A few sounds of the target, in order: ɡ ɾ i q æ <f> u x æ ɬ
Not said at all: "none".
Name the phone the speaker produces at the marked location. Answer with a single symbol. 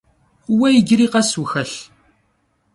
s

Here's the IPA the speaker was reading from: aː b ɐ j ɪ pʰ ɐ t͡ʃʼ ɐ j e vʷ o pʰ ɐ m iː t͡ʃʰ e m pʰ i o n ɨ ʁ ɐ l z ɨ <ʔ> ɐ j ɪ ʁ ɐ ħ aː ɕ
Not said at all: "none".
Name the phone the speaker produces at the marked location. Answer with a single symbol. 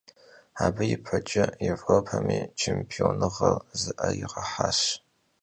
ʔ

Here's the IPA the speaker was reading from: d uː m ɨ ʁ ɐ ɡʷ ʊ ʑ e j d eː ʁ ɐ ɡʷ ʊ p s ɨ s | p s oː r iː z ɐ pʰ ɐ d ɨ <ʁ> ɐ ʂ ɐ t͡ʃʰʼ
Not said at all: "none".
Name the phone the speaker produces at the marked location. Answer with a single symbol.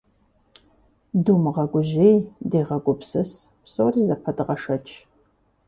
ʁ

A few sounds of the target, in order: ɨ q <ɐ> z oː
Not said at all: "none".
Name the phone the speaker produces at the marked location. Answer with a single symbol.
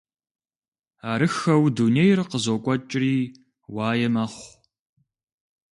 ə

